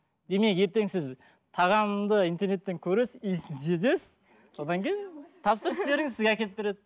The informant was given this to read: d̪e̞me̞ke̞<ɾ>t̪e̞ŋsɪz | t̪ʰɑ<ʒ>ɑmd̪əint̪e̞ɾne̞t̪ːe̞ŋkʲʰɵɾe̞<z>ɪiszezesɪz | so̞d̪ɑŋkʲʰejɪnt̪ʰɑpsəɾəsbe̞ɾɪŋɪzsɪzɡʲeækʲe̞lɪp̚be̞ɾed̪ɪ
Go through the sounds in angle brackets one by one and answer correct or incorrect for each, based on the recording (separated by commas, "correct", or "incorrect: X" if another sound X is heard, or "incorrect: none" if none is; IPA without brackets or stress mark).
correct, incorrect: ʁ, incorrect: s